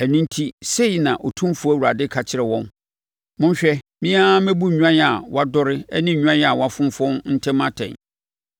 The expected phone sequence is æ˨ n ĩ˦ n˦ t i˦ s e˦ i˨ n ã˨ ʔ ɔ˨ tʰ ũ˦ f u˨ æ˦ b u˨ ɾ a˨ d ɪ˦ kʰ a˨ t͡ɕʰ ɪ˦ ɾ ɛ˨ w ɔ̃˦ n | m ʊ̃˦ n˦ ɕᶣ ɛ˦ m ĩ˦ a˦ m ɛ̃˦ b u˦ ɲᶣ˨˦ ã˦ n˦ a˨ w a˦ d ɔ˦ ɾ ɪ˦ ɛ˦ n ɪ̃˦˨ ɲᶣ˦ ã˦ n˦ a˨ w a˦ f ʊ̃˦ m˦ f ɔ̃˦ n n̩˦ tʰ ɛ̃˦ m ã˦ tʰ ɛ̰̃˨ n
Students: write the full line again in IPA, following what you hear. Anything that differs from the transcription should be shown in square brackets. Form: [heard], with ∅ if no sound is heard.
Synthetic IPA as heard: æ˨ n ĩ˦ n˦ [tʰ] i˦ s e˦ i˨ n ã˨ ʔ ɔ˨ tʰ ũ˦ f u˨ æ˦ [w] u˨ ɾ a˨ d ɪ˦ kʰ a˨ t͡ɕʰ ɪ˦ ɾ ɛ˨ w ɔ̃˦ n | m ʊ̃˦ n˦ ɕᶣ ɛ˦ m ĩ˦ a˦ m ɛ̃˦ b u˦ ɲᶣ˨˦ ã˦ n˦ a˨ w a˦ d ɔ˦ ɾ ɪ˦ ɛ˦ n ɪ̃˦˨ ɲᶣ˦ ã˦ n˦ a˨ w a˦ f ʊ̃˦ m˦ f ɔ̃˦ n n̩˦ tʰ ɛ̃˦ m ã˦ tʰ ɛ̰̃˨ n